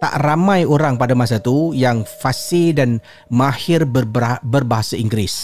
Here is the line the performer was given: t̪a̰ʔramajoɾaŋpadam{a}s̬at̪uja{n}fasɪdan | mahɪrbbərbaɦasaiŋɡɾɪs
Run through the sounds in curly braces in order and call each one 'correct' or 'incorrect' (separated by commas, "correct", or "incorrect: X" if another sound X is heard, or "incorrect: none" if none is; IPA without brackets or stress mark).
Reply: correct, incorrect: ŋ